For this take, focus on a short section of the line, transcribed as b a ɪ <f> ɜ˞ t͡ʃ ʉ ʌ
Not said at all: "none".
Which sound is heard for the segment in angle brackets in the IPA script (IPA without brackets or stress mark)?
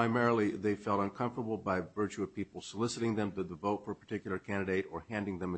v